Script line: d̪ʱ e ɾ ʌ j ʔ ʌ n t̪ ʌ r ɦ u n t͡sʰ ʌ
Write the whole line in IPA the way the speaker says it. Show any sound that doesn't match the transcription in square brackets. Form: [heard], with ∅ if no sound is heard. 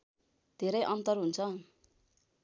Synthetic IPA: d̪ʱ e ɾ ʌ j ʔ ʌ n t̪ ʌ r ɦ u n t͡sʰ ʌ

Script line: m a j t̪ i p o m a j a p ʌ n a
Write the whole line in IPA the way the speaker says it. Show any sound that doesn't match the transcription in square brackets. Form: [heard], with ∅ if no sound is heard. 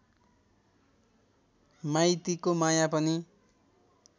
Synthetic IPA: m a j t̪ i [k] o m a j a p ʌ n [i]

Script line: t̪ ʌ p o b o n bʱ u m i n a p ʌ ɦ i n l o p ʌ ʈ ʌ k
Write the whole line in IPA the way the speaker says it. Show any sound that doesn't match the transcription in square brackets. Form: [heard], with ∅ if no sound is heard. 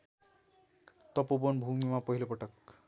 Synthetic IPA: t̪ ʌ p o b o n bʱ u m i [m] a p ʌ ɦ i [∅] l o p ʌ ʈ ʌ k

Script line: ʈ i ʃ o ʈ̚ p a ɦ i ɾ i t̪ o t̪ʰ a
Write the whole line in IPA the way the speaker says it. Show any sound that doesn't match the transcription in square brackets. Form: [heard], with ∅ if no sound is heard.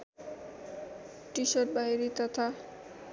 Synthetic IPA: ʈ i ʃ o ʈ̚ [b] a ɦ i ɾ i t̪ [ɔ] t̪ʰ a

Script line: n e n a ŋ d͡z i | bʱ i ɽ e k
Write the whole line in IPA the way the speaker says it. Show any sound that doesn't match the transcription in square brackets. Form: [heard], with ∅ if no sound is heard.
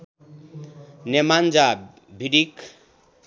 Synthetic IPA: n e [m] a [n] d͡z [a] | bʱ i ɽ [i] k

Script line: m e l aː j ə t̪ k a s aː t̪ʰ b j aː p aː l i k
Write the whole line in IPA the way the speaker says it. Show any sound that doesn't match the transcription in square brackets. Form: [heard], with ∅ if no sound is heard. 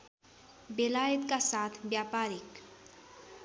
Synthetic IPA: [b] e l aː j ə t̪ k a s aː t̪ʰ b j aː p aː [ɾ] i k

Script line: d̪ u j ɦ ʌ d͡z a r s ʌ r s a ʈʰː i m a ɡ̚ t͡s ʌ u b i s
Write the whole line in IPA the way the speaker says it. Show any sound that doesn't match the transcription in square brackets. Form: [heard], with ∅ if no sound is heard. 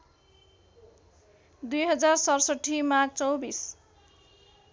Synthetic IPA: d̪ u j ɦ ʌ d͡z a r s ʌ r s [ʌ] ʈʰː i m a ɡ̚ t͡s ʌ [w] b i s

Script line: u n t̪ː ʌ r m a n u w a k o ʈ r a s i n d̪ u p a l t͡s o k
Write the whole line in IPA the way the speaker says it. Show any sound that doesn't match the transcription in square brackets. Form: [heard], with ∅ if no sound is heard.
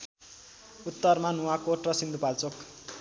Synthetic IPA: u [∅] t̪ː ʌ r m a n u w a k o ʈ r [ʌ] s i n d̪ u p a l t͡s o k

